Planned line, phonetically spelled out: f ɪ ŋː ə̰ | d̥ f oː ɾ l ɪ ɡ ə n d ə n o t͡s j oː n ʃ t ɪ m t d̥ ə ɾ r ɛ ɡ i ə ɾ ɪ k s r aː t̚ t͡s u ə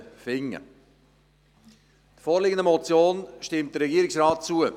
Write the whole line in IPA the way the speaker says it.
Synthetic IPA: f ɪ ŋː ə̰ | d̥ f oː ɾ l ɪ ɡ ə n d ə m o t͡s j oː n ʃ t ɪ m t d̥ ə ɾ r ɛ ɡ i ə ɾ ɪ k s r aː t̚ t͡s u ə